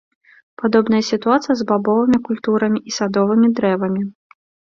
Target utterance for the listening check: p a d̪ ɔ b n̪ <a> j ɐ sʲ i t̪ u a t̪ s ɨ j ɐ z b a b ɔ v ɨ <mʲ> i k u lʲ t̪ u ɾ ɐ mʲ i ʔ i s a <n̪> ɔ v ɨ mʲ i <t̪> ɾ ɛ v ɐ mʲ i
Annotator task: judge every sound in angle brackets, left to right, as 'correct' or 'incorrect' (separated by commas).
incorrect, correct, incorrect, incorrect